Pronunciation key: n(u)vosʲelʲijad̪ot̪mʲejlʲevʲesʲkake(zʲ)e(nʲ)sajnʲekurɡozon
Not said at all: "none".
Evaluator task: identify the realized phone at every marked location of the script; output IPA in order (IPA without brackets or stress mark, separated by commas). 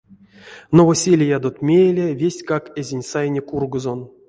o, zʲ, nʲ